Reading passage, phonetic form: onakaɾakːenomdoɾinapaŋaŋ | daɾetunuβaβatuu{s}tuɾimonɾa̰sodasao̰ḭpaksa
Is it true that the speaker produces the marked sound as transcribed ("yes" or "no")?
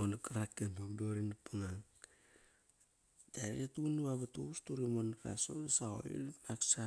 yes